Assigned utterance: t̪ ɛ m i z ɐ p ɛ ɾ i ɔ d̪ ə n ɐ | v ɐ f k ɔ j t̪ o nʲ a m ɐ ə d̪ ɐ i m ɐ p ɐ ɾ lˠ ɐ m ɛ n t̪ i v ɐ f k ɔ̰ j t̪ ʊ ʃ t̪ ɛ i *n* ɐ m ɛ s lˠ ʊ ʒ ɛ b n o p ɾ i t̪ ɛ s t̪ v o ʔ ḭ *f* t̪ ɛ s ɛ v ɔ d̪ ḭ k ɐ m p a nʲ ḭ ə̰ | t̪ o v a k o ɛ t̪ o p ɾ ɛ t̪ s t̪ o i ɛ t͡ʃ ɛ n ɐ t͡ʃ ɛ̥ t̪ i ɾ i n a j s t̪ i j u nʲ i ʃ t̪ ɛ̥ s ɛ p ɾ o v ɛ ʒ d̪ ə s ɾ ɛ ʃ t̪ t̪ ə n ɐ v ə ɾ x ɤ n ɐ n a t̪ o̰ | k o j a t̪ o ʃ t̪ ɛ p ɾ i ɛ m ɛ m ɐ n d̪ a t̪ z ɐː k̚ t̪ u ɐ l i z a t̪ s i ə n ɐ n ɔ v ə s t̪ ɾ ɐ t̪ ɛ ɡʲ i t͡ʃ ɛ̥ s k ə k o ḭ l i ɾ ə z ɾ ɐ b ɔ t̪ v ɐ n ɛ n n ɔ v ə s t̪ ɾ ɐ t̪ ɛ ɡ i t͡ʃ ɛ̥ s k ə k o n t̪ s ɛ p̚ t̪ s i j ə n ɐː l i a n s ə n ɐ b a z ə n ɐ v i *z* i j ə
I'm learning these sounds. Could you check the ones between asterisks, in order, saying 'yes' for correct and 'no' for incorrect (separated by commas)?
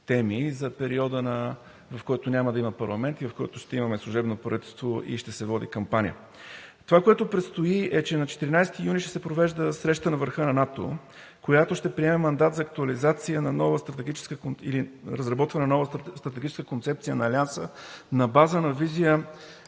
no, no, yes